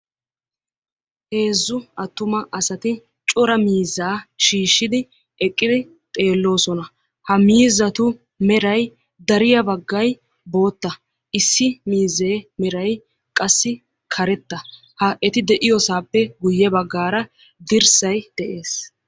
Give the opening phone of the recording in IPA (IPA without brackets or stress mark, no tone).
h